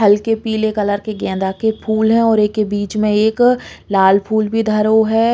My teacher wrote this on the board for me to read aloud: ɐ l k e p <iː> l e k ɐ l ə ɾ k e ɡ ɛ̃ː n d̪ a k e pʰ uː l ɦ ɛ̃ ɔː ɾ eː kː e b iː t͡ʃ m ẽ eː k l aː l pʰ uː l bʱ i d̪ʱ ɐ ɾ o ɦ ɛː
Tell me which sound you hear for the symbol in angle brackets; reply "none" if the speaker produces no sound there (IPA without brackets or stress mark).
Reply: iː